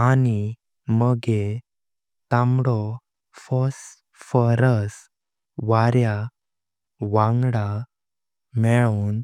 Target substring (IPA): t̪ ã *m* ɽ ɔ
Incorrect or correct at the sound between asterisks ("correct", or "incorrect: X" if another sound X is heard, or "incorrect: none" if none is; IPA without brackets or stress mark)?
correct